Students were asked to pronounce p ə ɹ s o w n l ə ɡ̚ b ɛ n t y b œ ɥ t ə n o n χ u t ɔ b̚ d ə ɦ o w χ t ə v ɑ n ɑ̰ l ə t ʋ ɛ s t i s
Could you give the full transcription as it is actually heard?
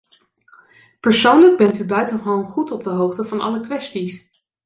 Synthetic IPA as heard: p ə ɹ s o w n l ə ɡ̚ b ɛ n t y b œ ɥ t ə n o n χ u t ɔ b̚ d ə ɦ o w χ t ə v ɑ n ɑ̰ l ə k ʋ ɛ s t i s